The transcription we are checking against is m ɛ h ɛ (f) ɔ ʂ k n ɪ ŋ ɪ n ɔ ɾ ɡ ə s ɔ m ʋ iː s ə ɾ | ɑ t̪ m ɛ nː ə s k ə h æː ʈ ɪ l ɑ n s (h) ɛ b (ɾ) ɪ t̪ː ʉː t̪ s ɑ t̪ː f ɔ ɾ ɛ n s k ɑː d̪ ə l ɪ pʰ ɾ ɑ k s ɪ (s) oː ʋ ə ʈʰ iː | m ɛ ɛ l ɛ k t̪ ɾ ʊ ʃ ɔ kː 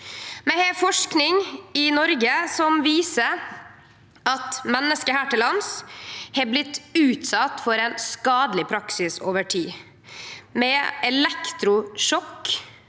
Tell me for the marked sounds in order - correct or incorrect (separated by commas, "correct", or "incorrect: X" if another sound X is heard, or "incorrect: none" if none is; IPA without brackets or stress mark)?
correct, correct, incorrect: l, correct